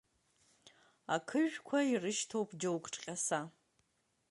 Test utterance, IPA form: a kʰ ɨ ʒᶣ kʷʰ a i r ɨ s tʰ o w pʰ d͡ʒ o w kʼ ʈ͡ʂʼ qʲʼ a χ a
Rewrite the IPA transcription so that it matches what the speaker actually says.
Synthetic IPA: a kʰ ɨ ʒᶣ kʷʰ a i r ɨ ʃ tʰ o w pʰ d͡ʒ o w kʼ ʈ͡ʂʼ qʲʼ a s a